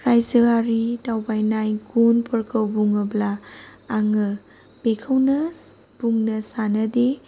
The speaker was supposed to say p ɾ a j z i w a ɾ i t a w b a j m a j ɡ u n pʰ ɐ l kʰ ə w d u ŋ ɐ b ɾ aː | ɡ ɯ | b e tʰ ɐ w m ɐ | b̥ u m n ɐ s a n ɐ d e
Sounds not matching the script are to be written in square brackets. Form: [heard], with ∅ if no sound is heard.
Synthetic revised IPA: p ɾ a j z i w a ɾ i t a w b a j [n] a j ɡ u n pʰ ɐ [ɾ] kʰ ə w [b] u ŋ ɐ b [l] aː | [ŋ] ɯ | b e [kʰ] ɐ w [n] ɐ | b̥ u [ŋ] n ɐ s a n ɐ d e